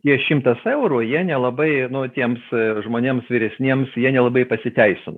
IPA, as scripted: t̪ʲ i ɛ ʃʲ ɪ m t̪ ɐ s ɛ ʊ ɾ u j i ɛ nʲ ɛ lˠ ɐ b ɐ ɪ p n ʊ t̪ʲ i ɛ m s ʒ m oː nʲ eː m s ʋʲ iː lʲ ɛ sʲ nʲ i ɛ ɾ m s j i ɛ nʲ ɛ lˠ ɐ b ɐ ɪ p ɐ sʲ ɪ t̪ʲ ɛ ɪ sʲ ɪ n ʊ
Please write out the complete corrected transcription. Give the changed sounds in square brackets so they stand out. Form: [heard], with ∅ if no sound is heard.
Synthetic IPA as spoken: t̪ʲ i ɛ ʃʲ ɪ m t̪ ɐ s ɛ ʊ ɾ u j i ɛ nʲ ɛ lˠ ɐ b ɐ ɪ [∅] n ʊ t̪ʲ i ɛ m s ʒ m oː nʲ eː m s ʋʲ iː [ɾʲ] ɛ sʲ nʲ i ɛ [∅] m s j i ɛ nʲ ɛ lˠ ɐ b ɐ ɪ p ɐ sʲ ɪ t̪ʲ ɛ ɪ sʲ ɪ n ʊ